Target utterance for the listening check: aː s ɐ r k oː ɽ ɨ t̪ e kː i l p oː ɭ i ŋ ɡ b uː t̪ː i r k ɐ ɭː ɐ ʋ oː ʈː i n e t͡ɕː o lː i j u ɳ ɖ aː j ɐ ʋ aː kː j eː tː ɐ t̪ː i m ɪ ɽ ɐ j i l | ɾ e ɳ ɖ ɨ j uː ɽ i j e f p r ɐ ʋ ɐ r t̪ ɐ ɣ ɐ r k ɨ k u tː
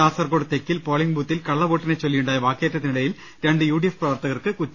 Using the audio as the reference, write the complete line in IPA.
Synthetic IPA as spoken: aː s ɐ r k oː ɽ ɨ t̪ e kː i l p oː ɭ i ŋ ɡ b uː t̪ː i l k ɐ ɭː ɐ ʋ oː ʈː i n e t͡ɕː o lː i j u ɳ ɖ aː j ɐ ʋ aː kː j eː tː ɐ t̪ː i n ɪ ɽ ɐ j i l | ɾ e ɳ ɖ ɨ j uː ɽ i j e f p r ɐ ʋ ɐ r t̪ ɐ ɣ ɐ r k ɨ k u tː